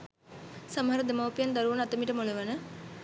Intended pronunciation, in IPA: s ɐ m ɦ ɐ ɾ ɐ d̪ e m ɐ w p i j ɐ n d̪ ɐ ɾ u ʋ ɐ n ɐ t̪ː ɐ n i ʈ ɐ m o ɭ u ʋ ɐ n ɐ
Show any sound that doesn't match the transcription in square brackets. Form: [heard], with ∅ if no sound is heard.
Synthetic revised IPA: s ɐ m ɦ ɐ ɾ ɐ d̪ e m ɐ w p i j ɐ n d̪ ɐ ɾ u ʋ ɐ n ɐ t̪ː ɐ [m] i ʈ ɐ m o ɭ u ʋ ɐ n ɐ